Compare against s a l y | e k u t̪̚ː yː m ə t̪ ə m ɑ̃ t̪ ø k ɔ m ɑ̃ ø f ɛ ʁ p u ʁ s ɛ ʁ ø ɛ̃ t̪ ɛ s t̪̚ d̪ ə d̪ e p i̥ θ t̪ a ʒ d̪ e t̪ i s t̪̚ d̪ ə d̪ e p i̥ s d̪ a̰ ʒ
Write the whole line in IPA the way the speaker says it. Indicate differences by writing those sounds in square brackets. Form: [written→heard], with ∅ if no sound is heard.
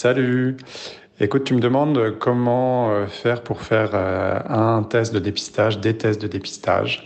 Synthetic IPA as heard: s a l y | e k u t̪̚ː [yː→y] m ə [t̪→d̪] ə m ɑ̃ [t̪→d̪] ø k ɔ m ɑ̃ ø f ɛ ʁ p u ʁ [s→f] ɛ ʁ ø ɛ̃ t̪ ɛ s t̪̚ d̪ ə d̪ e p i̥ [θ→s] t̪ a ʒ d̪ e t̪ [i→ɛ] s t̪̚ d̪ ə d̪ e p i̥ s [d̪→t̪] a̰ ʒ